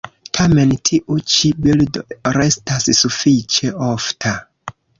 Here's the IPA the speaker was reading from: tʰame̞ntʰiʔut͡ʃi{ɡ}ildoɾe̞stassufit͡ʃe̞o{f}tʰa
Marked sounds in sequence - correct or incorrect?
incorrect: b, correct

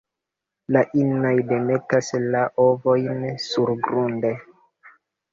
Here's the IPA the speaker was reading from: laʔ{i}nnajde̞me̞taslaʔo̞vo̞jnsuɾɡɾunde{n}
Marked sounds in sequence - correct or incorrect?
correct, incorrect: none

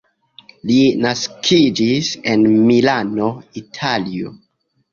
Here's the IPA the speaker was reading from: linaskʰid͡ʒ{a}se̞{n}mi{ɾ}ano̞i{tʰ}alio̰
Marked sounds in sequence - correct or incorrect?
incorrect: i, correct, incorrect: l, correct

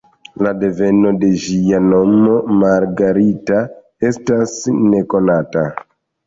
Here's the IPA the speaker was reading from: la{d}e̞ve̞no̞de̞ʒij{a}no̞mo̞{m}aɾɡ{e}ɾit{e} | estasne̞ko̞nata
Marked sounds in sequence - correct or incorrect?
correct, correct, correct, incorrect: a, incorrect: a

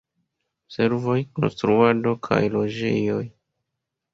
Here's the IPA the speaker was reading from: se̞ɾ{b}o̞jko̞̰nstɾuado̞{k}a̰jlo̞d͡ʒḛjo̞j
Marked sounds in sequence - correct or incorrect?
incorrect: v, incorrect: kʰ

